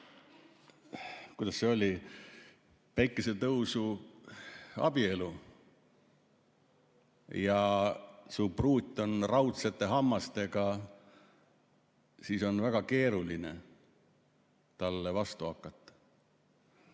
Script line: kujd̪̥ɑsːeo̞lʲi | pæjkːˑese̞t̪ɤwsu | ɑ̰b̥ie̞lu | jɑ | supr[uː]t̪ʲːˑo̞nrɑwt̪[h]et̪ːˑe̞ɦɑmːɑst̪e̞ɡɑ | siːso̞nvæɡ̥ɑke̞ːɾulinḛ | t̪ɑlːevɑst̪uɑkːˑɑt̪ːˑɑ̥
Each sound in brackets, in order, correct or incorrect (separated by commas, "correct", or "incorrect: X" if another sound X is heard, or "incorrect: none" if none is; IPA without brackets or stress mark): correct, incorrect: s